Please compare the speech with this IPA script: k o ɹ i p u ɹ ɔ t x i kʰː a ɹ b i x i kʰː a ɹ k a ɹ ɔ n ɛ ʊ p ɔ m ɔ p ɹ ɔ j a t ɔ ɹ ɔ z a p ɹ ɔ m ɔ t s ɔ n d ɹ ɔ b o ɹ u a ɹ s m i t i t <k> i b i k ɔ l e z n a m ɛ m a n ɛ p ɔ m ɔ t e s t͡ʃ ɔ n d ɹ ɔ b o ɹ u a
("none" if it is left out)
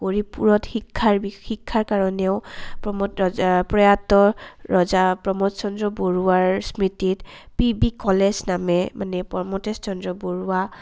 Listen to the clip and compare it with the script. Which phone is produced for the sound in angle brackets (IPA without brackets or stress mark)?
p